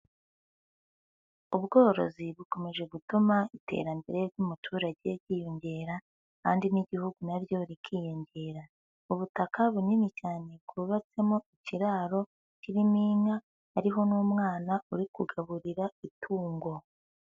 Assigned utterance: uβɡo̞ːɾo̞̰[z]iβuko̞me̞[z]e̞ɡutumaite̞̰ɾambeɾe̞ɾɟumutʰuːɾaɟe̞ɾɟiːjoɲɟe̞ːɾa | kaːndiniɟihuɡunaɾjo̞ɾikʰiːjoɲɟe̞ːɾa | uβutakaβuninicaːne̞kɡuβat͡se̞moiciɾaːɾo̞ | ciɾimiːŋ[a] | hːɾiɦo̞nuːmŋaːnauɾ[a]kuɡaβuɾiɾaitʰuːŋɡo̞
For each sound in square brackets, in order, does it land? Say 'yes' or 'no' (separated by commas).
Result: yes, no, yes, no